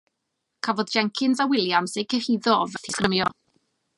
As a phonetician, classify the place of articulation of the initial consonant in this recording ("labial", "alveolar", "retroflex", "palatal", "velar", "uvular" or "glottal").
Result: velar